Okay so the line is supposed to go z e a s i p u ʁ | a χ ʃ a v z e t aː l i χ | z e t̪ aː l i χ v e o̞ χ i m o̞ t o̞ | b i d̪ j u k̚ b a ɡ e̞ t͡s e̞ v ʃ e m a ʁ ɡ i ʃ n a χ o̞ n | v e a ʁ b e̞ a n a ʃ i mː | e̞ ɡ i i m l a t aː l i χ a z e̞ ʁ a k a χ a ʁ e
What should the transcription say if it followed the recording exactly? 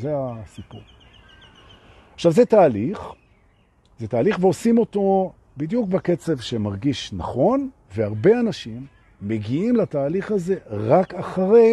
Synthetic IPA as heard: z e a s i p u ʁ | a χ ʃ a v z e t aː l i χ | z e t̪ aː l i χ v e o̞ s i m o̞ t o̞ | b i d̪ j u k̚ b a k e̞ t͡s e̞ v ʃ e m a ʁ ɡ i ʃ n a χ o̞ n | v e a ʁ b e̞ a n a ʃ i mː | e̞ ɡ i i m l a t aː l i χ a z e̞ ʁ a k a χ a ʁ e